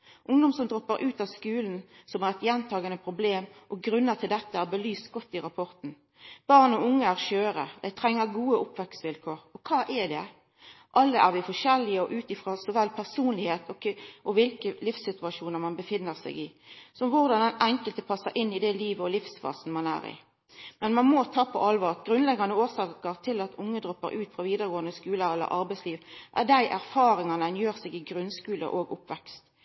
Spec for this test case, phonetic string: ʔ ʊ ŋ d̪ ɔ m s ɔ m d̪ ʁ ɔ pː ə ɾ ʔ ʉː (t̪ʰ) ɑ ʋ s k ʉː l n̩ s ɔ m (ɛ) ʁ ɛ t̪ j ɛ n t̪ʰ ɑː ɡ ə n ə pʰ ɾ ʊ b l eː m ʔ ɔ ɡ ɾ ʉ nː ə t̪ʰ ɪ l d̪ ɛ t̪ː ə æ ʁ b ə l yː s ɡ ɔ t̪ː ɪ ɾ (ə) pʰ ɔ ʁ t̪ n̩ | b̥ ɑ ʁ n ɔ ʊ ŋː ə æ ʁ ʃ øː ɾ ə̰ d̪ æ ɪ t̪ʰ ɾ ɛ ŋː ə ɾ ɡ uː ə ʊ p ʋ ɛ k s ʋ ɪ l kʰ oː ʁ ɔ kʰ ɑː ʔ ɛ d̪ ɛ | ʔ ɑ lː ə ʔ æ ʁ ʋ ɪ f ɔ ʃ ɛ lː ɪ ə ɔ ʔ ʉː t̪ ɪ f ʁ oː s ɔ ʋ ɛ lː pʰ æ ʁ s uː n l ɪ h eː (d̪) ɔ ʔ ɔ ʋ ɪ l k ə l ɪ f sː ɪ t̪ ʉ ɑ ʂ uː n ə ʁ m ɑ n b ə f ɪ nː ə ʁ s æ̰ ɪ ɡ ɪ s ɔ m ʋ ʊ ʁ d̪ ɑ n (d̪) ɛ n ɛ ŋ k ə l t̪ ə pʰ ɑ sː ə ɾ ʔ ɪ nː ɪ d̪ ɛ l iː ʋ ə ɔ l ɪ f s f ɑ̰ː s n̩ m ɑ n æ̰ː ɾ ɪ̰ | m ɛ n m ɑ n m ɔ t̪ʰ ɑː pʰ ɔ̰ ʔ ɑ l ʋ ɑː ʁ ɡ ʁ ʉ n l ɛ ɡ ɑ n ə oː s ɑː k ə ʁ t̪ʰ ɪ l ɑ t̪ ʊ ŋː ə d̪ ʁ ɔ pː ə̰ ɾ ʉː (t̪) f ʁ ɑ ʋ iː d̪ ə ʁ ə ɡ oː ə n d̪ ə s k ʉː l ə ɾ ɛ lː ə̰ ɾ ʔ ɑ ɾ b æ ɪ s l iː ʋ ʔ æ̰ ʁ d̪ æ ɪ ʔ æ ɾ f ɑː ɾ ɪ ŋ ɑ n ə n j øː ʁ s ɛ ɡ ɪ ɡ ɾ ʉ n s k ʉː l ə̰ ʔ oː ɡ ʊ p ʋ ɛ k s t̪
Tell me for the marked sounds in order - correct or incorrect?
incorrect: t̪, incorrect: æ, incorrect: ɑ, incorrect: t̪, correct, correct

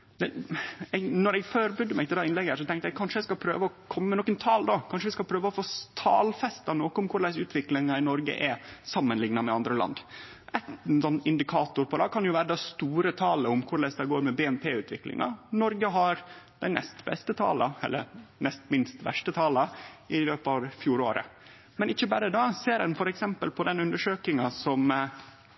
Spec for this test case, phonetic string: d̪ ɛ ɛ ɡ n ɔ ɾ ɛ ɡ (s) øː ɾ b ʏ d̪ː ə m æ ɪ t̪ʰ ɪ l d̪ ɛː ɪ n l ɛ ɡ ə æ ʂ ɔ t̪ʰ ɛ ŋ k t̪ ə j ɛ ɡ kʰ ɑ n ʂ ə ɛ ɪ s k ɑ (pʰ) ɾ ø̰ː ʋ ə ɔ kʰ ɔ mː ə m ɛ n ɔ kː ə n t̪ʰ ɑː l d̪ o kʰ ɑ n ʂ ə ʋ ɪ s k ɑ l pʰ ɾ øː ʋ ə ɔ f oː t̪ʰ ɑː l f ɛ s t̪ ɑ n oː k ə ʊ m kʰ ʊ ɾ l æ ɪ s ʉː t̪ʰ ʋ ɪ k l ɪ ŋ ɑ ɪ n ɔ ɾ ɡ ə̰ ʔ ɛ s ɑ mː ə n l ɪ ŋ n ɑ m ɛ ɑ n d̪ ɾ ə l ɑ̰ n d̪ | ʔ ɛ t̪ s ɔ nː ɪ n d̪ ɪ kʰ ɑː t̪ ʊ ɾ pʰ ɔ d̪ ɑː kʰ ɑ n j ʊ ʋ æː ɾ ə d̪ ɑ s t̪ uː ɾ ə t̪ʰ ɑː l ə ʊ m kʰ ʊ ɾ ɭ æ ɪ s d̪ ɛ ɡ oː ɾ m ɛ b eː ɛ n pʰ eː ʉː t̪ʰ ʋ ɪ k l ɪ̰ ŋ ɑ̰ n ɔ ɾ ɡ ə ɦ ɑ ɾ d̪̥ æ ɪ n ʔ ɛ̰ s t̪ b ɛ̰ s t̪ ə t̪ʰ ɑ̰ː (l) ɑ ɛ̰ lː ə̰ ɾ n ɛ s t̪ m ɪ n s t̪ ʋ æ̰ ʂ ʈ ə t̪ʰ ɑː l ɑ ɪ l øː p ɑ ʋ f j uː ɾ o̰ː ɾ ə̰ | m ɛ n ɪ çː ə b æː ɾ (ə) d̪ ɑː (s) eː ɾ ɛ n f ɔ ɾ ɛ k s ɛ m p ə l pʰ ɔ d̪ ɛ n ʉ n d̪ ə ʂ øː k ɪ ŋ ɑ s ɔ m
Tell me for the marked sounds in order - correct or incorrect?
incorrect: f, correct, correct, correct, correct

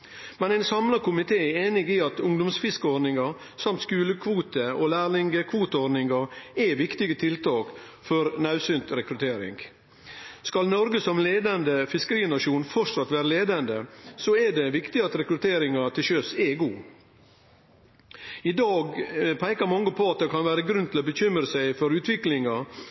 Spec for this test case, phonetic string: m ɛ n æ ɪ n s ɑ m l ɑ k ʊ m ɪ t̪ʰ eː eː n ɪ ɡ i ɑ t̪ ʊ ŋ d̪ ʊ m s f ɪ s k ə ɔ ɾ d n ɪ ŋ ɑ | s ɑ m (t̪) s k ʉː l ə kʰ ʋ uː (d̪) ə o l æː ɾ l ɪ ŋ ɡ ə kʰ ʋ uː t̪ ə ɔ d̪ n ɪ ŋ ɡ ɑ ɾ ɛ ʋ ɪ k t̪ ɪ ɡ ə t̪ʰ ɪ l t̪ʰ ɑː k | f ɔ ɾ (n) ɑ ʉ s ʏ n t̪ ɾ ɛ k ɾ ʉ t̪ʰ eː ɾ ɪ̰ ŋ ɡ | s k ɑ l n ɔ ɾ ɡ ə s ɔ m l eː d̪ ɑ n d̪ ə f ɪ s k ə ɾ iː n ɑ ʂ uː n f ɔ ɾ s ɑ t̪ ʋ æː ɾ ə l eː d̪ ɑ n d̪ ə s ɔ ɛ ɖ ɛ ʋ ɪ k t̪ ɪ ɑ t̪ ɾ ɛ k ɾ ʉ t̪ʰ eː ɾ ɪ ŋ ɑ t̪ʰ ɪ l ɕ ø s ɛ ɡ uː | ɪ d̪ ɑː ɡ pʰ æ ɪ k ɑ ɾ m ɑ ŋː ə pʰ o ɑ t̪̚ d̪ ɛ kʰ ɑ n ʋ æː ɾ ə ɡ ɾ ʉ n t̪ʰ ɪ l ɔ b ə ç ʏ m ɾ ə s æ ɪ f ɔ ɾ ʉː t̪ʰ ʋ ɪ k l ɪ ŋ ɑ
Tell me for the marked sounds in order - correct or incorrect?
correct, incorrect: t̪, correct

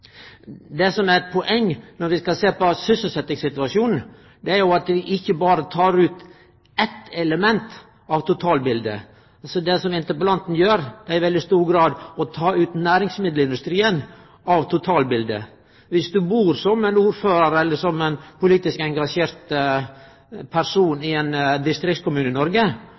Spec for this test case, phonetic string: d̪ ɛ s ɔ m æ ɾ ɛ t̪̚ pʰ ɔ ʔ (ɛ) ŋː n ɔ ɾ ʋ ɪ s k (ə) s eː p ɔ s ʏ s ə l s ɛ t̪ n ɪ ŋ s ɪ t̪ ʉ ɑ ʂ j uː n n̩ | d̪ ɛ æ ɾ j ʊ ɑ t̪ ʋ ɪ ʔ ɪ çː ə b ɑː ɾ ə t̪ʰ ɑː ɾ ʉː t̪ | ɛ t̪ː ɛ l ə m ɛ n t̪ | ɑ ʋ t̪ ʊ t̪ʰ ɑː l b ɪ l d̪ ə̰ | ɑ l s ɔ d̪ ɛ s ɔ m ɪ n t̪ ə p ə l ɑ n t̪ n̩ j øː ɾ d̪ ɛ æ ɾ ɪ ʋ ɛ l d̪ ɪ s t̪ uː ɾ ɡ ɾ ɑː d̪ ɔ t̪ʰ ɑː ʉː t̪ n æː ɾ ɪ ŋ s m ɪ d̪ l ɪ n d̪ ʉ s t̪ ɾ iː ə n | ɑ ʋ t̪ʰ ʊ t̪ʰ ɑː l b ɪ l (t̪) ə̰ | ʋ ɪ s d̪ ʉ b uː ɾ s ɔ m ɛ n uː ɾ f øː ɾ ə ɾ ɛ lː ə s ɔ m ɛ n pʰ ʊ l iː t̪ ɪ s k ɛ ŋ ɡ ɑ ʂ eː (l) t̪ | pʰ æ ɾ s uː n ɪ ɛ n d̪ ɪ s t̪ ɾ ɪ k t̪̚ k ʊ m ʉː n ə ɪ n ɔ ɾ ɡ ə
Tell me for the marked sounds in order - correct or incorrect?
correct, incorrect: ɑ, incorrect: d̪, incorrect: ɾ

